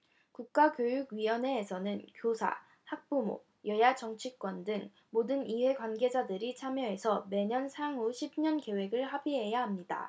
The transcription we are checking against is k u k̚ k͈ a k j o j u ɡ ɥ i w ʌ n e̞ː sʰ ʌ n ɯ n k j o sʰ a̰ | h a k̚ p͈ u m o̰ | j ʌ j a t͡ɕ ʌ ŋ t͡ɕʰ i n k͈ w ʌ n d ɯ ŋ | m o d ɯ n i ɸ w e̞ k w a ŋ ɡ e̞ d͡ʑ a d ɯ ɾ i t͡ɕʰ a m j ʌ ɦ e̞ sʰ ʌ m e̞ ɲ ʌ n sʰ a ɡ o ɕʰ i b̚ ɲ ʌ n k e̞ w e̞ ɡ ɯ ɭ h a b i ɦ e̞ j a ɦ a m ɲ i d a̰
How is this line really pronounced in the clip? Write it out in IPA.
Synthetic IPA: k u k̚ k͈ a k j o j u ɡ ɥ i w ʌ n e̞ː sʰ ʌ n ɯ n k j o sʰ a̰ | h a k̚ p͈ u m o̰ | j ʌ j a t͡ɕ ʌ ŋ t͡ɕʰ i k͈ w ʌ n d ɯ ŋ | m o d ɯ n i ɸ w e̞ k w a n ɡ e̞ d͡ʑ a d ɯ ɾ i t͡ɕʰ a m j ʌ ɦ e̞ sʰ ʌ m e̞ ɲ ʌ n sʰ a ŋ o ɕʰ i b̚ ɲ ʌ n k e̞ w e̞ ɡ ɯ ɭ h a b i ɦ e̞ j a ɦ a m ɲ i d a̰

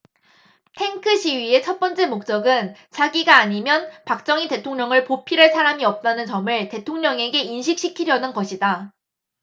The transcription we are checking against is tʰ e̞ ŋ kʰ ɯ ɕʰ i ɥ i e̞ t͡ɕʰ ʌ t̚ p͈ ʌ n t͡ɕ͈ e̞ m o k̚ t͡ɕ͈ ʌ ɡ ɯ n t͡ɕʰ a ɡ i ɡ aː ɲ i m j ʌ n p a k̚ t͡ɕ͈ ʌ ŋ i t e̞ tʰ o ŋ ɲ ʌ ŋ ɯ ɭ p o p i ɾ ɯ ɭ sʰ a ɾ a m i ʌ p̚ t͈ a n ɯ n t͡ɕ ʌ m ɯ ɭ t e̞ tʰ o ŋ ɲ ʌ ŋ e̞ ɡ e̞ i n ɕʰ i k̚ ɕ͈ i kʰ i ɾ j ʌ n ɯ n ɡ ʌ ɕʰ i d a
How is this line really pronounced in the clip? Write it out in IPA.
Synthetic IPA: tʰ e̞ ŋ kʰ ɯ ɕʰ i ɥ i e̞ t͡ɕʰ ʌ t̚ p͈ ʌ n t͡ɕ͈ e̞ m o k̚ t͡ɕ͈ ʌ ɡ ɯ n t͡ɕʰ a ɡ i ɡ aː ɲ i m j ʌ n p a k̚ t͡ɕ͈ ʌ ŋ i t e̞ tʰ o ŋ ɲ ʌ ŋ ɯ ɭ p o pʰ i ɾ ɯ ɭ sʰ a ɾ a m i ʌ p̚ t͈ a n ɯ n t͡ɕ ʌ m ɯ ɭ t e̞ tʰ o ŋ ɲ ʌ ŋ e̞ ɡ e̞ i n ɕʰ i k̚ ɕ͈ i kʰ i ɾ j ʌ n ɯ n ɡ ʌ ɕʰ i d a

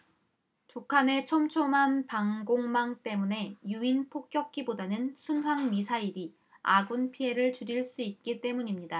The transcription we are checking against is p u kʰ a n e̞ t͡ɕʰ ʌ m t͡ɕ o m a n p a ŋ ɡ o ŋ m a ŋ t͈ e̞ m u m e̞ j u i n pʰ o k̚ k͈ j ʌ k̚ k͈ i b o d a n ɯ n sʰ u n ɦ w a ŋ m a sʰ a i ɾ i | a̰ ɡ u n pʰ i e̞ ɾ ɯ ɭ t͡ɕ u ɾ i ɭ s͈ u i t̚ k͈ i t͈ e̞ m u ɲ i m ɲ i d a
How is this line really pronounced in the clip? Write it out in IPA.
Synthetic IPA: p u kʰ a n e̞ t͡ɕʰ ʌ m t͡ɕʰ o m a n p a ŋ ɡ o ŋ m a ŋ t͈ e̞ m u n e̞ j u i n pʰ o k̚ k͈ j ʌ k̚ k͈ i b o d a n ɯ n sʰ u n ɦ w a ŋ m i sʰ a i ɾ i | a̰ ɡ u n pʰ i e̞ ɾ ɯ ɭ t͡ɕ u ɾ i ɭ s͈ u i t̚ k͈ i t͈ e̞ m u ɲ i m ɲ i d a

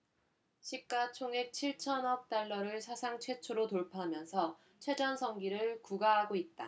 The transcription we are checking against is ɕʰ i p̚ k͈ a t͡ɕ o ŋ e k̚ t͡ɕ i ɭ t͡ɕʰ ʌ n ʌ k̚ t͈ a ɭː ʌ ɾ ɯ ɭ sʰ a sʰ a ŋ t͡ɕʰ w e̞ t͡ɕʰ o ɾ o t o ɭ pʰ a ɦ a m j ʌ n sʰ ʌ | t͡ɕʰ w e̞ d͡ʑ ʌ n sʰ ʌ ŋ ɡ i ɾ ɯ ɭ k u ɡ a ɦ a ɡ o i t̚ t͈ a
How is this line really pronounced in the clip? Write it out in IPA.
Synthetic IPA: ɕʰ i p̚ k͈ a t͡ɕʰ o ŋ e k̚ t͡ɕʰ i ɭ t͡ɕʰ ʌ n ʌ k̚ t͈ a ɭː ʌ ɾ ɯ ɭ sʰ a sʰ a ŋ t͡ɕʰ w e̞ t͡ɕʰ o ɾ o t o ɭ pʰ a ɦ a m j ʌ n sʰ ʌ | t͡ɕʰ w e̞ d͡ʑ ʌ n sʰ ʌ ŋ ɡ i ɾ ɯ ɭ k u ɡ a ɦ a ɡ o i t̚ t͈ a

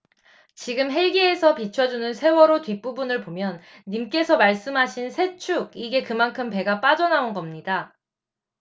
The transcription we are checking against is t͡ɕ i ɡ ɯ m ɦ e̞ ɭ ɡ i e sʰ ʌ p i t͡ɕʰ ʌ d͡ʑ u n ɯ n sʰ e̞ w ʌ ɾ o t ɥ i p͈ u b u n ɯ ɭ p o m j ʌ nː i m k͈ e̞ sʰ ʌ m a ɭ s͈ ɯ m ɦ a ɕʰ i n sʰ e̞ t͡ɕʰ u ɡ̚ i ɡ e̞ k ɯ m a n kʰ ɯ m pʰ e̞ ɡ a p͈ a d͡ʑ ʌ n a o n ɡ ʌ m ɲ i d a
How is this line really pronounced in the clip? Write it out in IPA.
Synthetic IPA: t͡ɕ i ɡ ɯ m ɦ e̞ ɭ ɡ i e sʰ ʌ p i t͡ɕʰ ʌ d͡ʑ u n ɯ n sʰ e̞ w ʌ ɾ o t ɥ i p͈ u b u n ɯ ɭ p o m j ʌ nː i m k͈ e̞ sʰ ʌ m a ɭ s͈ ɯ m ɦ a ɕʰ i n sʰ e̞ t͡ɕʰ u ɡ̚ i ɡ e̞ k ɯ m a n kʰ ɯ m p e̞ ɡ a p͈ a d͡ʑ ʌ n a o n ɡ ʌ m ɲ i d a

